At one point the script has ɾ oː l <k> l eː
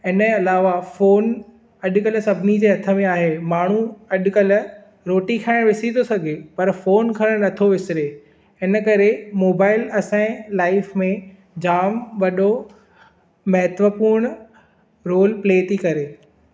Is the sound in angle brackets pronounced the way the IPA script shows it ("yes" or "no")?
no